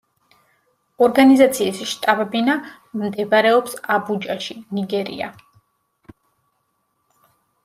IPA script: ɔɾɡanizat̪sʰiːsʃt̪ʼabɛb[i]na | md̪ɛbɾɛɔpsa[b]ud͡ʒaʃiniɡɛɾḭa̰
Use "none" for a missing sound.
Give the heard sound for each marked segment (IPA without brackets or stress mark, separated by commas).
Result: i, b